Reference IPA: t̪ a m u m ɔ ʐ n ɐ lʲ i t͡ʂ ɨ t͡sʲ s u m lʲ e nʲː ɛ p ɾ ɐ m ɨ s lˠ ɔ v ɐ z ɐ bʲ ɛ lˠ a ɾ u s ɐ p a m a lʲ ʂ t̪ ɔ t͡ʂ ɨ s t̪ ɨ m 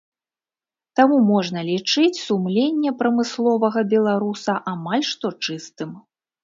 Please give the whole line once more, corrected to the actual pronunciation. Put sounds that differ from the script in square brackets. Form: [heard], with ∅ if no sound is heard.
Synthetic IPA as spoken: t̪ a m u m ɔ ʐ n ɐ lʲ i t͡ʂ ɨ t͡sʲ s u m lʲ e nʲː ɛ p ɾ ɐ m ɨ s lˠ ɔ v ɐ [ɣ] ɐ bʲ ɛ lˠ a ɾ u s ɐ [ʔ] a m a lʲ ʂ t̪ ɔ t͡ʂ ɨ s t̪ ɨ m